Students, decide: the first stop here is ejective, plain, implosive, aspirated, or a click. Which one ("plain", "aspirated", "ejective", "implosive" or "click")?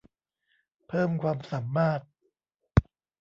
aspirated